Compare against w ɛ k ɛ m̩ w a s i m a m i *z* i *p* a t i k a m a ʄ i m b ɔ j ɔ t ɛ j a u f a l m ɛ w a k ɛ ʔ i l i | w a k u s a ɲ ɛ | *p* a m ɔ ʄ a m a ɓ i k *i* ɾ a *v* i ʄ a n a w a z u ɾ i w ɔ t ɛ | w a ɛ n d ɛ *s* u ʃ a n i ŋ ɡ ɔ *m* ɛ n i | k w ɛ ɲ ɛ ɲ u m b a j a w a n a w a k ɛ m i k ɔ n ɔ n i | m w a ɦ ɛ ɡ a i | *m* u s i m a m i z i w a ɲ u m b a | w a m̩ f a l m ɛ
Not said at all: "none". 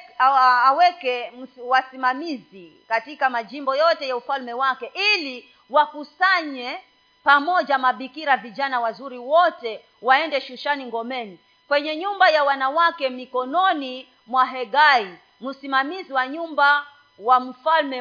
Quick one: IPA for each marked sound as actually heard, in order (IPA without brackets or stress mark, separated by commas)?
z, k, p, i, v, ʃ, m, m